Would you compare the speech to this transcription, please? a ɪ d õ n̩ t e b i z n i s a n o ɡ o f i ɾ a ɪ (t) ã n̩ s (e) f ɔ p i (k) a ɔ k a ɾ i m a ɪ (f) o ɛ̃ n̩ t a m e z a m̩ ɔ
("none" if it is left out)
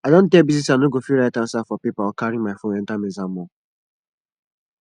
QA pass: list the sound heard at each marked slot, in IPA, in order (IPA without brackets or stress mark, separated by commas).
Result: t, a, p, f